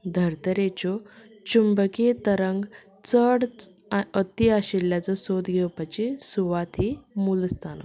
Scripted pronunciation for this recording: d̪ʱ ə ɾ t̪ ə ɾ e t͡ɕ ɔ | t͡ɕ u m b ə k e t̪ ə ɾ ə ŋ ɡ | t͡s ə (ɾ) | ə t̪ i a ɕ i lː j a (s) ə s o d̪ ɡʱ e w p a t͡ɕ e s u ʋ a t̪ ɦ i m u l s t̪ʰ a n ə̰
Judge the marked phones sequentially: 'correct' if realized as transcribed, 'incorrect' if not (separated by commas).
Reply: incorrect, incorrect